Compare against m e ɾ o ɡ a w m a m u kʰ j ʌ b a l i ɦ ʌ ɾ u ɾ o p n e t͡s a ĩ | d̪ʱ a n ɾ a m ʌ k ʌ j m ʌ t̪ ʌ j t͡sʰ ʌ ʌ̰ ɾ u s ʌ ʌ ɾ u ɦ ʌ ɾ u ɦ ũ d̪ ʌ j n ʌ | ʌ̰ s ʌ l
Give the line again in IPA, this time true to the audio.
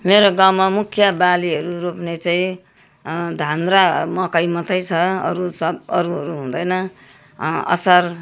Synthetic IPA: m e ɾ o ɡ a w m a m u kʰ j ʌ b a l i ɦ ʌ ɾ u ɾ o p n e t͡s a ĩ | d̪ʱ a n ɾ a m ʌ k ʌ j m ʌ t̪ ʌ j t͡sʰ ʌ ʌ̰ ɾ u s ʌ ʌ ɾ u ɦ ʌ ɾ u ɦ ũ d̪ ʌ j n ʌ | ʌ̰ s ʌ r